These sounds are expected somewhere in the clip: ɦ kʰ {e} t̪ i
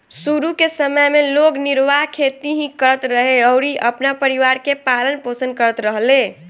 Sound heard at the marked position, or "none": e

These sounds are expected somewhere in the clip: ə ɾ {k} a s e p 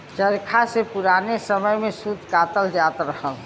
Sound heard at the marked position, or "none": kʰ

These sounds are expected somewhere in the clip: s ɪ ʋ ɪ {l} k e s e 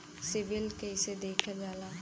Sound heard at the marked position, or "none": l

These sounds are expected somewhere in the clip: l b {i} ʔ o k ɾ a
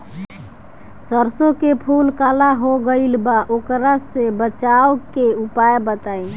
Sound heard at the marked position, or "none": a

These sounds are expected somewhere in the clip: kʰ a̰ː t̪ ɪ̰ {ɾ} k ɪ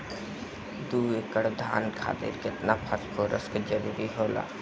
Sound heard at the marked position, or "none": ɾ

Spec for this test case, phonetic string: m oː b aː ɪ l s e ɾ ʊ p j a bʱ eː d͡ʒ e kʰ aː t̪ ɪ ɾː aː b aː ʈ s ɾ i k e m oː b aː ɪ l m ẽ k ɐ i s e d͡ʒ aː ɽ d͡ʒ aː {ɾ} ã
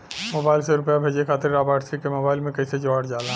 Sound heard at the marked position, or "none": l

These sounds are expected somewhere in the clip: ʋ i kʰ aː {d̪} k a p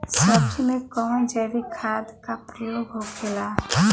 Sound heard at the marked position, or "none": d̪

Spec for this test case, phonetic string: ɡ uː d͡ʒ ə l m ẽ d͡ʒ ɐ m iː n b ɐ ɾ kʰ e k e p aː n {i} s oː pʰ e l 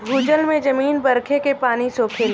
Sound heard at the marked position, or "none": i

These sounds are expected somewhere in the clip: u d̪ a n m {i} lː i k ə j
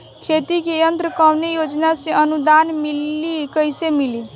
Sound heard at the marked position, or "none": i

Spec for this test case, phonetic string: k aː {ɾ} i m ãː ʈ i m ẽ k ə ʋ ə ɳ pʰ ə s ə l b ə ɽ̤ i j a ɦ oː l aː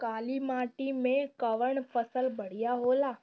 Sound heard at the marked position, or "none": l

